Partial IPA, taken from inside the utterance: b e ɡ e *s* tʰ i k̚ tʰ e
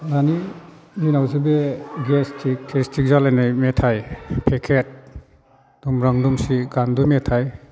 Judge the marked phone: correct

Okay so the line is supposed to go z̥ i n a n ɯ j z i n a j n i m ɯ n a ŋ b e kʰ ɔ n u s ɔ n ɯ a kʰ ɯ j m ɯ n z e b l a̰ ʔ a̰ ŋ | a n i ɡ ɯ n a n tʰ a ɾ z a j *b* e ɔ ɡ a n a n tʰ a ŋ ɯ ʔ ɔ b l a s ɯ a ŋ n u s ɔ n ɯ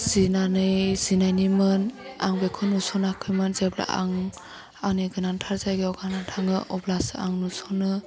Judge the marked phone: incorrect: ɡ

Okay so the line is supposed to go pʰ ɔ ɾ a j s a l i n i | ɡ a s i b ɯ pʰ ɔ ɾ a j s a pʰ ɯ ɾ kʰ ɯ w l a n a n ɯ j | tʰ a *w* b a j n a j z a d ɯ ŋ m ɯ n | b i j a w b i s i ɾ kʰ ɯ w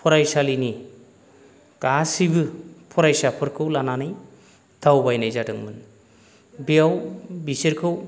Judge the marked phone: correct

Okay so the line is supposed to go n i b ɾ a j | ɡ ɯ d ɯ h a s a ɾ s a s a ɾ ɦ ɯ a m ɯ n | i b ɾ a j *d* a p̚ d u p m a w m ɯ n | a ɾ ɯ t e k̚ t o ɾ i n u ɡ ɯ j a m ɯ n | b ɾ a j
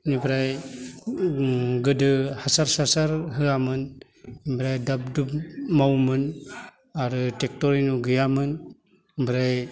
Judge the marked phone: correct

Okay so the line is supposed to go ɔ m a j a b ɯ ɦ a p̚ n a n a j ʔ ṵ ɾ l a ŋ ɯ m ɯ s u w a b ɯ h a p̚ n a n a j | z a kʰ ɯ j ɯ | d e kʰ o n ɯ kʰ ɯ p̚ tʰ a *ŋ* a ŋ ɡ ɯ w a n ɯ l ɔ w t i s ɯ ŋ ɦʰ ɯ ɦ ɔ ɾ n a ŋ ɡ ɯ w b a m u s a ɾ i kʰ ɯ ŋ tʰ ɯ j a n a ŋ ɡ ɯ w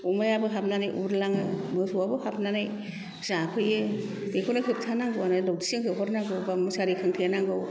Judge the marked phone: incorrect: n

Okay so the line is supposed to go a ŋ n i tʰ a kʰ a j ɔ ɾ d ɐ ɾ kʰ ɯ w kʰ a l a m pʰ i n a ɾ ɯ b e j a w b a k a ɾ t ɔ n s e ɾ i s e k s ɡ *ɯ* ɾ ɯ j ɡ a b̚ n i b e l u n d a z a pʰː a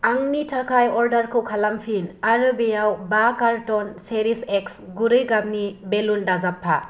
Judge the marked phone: incorrect: u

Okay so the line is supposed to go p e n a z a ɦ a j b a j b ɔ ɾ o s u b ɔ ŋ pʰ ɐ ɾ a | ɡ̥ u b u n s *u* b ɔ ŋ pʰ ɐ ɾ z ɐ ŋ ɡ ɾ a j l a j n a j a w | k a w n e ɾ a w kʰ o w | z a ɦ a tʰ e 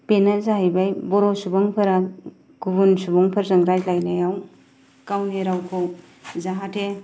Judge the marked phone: correct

